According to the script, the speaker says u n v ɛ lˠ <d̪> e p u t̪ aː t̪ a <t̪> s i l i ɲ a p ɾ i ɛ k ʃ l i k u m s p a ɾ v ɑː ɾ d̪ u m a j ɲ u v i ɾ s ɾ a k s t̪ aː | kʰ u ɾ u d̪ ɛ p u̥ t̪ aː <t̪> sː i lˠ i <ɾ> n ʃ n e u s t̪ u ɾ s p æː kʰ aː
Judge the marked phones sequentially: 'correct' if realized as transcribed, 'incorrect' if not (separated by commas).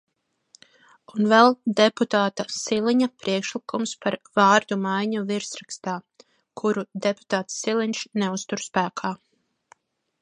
correct, incorrect, correct, incorrect